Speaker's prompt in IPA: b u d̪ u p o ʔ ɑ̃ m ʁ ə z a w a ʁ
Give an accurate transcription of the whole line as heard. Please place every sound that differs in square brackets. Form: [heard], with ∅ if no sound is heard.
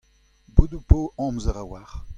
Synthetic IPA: b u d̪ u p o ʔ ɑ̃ m [z] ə [ʁ] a w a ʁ